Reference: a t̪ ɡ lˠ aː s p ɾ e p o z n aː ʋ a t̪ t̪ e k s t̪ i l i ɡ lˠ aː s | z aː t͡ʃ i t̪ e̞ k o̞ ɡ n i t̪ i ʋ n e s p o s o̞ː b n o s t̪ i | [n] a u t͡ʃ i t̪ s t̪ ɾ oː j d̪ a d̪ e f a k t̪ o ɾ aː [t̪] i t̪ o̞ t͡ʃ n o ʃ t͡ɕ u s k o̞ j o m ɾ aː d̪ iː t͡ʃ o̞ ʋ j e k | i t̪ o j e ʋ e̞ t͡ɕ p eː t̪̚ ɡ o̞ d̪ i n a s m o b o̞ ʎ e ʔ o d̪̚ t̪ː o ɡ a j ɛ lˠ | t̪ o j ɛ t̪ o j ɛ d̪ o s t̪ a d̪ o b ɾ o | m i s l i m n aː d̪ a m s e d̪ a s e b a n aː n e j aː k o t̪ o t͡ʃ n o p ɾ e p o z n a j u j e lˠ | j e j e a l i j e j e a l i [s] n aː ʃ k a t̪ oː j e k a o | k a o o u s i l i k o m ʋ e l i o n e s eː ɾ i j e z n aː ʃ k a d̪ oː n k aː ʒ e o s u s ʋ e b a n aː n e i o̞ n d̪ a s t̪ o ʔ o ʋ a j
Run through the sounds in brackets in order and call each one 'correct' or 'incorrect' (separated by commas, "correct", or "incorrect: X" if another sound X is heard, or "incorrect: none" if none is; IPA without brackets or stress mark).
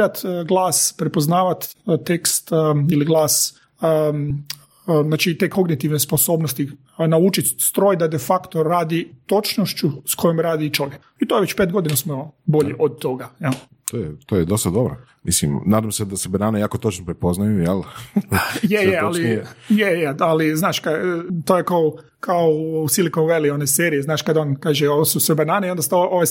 correct, incorrect: d̪, incorrect: z